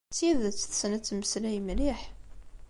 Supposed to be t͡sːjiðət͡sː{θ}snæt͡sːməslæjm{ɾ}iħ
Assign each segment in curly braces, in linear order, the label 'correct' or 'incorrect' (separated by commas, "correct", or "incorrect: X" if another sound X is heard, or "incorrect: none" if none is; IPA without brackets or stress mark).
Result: correct, incorrect: l